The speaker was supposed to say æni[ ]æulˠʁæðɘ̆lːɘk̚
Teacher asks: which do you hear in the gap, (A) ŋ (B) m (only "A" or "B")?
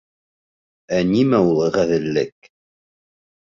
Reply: B